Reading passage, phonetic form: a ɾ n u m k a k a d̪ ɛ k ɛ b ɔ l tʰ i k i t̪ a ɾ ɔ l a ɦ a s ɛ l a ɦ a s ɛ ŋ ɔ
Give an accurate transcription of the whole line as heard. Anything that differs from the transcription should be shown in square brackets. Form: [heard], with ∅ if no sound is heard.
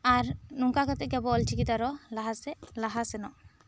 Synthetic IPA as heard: a ɾ n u [ŋ] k a k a [t̪] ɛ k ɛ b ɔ l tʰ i k i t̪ a ɾ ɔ l a ɦ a s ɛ l a ɦ a s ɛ [n] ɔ